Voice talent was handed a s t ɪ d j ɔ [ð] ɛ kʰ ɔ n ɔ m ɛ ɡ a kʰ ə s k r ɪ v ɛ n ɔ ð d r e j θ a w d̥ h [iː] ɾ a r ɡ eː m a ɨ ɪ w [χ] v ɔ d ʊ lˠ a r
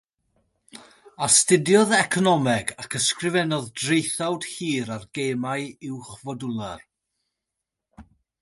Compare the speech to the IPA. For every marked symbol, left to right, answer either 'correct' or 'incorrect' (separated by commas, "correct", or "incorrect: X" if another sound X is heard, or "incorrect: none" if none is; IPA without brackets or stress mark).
correct, correct, correct